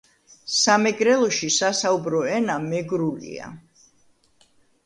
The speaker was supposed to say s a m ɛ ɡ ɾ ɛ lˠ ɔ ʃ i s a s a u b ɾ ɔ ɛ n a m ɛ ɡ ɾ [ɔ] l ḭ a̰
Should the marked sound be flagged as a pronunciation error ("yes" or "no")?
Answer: yes